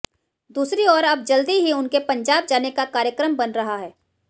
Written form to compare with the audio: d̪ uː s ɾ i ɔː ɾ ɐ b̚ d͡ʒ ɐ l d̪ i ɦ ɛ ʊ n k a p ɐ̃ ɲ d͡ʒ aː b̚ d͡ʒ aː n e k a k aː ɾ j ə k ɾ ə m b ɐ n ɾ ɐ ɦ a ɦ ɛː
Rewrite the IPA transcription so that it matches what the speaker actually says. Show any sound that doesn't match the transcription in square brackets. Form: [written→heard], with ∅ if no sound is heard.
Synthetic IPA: d̪ uː s ɾ i ɔː ɾ ɐ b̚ d͡ʒ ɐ l d̪ i ɦ [ɛ→i] ʊ n k [a→e] p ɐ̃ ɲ d͡ʒ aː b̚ d͡ʒ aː n e k a k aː ɾ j ə k ɾ ə m b ɐ n ɾ ɐ ɦ a ɦ ɛː

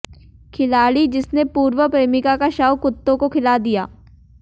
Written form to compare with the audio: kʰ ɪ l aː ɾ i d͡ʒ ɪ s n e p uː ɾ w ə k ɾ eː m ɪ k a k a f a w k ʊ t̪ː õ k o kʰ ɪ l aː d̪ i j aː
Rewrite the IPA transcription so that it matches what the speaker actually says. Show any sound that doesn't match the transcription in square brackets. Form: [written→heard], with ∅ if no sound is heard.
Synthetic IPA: kʰ ɪ l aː [ɾ→ɽ] i d͡ʒ ɪ s n e p uː ɾ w ə [k→p] ɾ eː m ɪ k a k a [f→ʃ] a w k ʊ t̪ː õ k o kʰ ɪ l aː d̪ i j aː

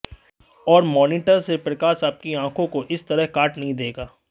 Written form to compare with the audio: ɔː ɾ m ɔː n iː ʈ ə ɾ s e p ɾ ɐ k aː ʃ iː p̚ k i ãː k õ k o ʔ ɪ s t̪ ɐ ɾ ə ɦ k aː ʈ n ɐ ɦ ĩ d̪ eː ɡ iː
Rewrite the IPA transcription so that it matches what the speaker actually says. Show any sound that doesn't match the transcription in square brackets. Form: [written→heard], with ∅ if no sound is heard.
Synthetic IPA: ɔː ɾ m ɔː n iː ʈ ə ɾ s e p ɾ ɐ k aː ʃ [iː→aː] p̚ k i ãː [k→kʰ] õ k o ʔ ɪ s t̪ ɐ ɾ ə ɦ k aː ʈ n ɐ ɦ ĩ d̪ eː ɡ [iː→aː]

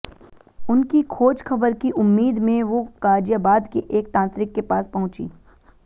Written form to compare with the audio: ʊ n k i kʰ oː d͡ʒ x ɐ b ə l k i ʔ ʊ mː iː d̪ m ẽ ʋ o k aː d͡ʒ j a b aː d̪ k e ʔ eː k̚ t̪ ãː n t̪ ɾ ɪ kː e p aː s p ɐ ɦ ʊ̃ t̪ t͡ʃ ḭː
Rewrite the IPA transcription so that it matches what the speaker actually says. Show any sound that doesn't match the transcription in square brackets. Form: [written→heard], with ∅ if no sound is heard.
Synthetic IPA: ʊ n k i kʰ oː d͡ʒ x ɐ b ə [l→ɾ] k i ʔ ʊ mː iː d̪ m ẽ ʋ o k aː d͡ʒ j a b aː d̪ k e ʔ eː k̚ t̪ ãː n t̪ ɾ ɪ kː e p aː s p ɐ ɦ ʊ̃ [t̪→∅] t͡ʃ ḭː

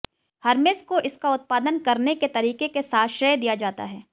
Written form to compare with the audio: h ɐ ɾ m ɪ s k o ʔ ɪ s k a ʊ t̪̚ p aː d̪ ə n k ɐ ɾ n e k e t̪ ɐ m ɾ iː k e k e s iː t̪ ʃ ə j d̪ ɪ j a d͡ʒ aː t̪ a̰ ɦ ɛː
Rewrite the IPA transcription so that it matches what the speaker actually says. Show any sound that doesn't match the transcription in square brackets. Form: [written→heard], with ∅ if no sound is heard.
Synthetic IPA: h ɐ ɾ m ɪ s k o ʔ ɪ s k a ʊ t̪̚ p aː d̪ ə n k ɐ ɾ n e k e t̪ ɐ [m→∅] ɾ iː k e k e s [iː→aː] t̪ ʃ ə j d̪ [ɪ→i] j a d͡ʒ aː t̪ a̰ ɦ ɛː

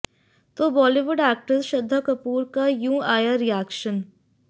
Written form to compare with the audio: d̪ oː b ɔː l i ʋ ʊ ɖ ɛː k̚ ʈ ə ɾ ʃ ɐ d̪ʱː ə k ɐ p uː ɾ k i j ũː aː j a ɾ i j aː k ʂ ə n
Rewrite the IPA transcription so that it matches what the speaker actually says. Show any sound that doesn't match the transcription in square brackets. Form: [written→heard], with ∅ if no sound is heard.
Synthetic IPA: [d̪→t̪] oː b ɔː l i ʋ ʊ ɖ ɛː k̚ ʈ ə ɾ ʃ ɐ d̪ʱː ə k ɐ p uː ɾ k [i→a] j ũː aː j a ɾ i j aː k [ʂ→ʃ] ə n

